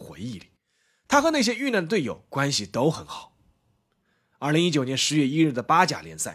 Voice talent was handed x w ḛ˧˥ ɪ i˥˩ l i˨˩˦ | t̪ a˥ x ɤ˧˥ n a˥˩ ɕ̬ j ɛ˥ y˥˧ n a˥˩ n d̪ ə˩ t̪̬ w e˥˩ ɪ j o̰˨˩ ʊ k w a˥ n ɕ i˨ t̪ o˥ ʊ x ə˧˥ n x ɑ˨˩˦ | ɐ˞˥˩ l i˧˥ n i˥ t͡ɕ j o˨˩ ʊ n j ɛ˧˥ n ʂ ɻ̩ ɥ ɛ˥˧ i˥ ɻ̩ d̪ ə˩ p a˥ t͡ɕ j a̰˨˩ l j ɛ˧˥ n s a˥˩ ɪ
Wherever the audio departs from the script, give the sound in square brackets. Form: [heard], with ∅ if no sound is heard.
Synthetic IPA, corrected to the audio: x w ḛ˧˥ ɪ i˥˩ l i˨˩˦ | [t̪ʰ] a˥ x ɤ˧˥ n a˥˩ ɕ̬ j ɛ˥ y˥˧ n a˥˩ n d̪ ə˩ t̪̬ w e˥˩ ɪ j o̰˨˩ ʊ k w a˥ n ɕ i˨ t̪ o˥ ʊ x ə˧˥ n x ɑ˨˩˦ | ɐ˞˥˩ l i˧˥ [ŋ] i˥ t͡ɕ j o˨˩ ʊ n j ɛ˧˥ n ʂ ɻ̩ ɥ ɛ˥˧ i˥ ɻ̩ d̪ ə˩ p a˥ t͡ɕ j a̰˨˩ l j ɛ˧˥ n s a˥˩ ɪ